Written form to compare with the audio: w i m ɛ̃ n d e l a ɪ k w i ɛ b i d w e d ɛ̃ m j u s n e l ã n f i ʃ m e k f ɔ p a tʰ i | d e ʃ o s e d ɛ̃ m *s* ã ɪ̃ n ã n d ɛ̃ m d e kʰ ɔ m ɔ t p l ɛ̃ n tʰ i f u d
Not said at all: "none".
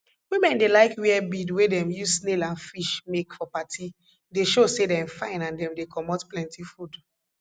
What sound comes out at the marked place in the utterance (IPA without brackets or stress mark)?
f